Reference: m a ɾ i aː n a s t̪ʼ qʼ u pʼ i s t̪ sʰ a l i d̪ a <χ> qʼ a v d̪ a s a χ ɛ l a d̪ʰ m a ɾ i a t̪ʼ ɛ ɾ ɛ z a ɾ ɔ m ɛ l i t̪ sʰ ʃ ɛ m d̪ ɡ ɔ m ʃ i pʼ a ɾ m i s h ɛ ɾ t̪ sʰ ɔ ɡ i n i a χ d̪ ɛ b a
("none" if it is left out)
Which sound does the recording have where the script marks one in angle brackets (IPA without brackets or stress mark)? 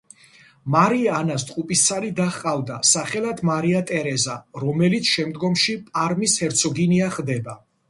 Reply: χ